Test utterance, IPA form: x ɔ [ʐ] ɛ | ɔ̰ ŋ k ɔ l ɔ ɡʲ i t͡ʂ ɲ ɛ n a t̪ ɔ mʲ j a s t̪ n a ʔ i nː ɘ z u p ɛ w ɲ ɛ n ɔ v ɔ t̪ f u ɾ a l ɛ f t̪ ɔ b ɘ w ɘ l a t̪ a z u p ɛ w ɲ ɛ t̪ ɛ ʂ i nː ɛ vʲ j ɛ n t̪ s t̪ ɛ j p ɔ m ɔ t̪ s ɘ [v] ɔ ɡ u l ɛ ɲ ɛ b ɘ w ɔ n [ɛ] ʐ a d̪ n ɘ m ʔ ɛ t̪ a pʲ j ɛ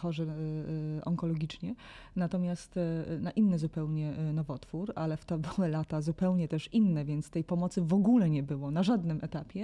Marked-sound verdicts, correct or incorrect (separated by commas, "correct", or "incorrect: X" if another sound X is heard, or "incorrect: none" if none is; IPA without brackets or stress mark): correct, correct, incorrect: a